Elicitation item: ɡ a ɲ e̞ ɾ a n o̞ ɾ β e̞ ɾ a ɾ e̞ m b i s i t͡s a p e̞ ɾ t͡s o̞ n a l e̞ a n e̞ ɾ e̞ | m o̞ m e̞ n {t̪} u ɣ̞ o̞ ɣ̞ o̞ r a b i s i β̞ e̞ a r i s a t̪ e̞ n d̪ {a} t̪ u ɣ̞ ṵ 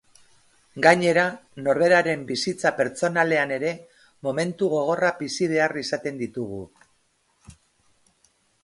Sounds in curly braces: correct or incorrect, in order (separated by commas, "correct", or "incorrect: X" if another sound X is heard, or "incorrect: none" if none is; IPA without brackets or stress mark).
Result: correct, incorrect: i